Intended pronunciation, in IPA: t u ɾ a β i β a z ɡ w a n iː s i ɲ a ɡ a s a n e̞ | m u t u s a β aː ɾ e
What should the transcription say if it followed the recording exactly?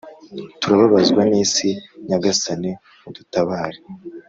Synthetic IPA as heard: t u ɾ a β a β a z ɡ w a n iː s i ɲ a ɡ a s a n e̞ | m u d u t a β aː ɾ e